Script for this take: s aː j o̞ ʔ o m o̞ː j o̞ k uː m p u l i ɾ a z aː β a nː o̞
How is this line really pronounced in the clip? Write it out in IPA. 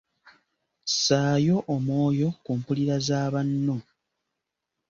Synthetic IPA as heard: s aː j o̞ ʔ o m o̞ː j o̞ k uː m p u l i ɾ a z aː β a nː o̞